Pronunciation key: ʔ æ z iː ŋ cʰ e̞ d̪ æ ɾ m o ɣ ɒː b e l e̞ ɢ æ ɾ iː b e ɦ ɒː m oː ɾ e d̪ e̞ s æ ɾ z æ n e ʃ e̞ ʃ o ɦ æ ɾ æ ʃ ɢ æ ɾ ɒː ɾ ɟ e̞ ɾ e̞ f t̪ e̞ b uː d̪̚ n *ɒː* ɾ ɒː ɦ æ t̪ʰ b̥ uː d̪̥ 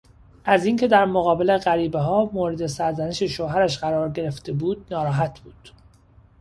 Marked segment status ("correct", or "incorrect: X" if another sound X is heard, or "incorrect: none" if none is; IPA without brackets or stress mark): correct